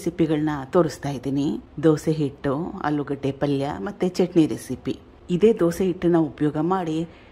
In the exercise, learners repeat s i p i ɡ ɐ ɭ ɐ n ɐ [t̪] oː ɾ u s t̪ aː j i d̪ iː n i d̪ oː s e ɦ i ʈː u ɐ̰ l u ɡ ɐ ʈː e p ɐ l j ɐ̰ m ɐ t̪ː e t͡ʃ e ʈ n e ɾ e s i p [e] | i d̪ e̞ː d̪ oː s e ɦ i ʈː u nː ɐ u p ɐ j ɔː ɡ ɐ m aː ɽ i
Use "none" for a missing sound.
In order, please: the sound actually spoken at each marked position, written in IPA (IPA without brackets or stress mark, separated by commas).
t̪, i